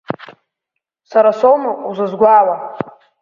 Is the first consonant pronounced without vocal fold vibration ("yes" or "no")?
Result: yes